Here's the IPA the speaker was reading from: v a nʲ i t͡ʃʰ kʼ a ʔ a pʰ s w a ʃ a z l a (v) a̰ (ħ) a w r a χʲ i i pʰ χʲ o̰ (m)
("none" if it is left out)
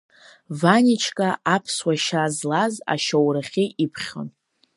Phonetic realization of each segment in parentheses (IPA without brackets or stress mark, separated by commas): z, ʃ, n